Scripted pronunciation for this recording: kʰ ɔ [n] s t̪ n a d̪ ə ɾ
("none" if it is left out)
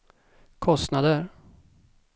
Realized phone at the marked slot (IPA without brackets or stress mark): none